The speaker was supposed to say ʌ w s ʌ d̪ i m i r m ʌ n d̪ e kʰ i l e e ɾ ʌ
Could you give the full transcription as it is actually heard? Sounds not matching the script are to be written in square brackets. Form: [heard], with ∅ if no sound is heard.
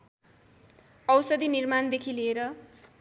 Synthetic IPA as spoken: ʌ w s ʌ d̪ i [n] i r m [a] n d̪ e kʰ i l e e ɾ ʌ